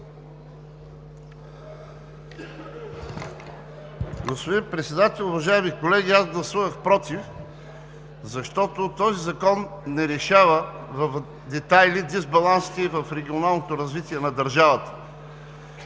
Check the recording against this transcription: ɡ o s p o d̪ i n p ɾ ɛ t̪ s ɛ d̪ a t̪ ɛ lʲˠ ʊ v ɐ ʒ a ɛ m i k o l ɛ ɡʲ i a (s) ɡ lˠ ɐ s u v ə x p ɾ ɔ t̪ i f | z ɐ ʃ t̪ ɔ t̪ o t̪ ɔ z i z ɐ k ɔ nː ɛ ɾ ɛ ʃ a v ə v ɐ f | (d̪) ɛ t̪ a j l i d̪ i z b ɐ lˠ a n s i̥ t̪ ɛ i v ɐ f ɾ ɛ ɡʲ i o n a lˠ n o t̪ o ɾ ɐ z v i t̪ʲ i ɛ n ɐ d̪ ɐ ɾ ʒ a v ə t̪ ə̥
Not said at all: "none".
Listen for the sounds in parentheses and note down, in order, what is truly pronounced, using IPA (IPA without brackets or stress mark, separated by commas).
z, d̪